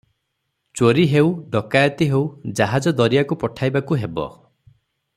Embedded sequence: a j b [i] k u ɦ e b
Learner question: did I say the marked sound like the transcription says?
no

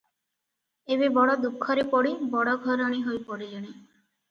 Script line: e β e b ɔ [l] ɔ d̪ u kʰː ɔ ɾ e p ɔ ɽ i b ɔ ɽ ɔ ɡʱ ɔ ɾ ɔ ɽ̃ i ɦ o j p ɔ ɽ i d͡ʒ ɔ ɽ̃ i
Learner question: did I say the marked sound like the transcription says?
no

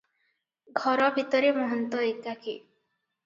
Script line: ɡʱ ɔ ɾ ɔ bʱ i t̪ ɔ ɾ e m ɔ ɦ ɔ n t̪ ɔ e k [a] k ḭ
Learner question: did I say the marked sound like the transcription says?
yes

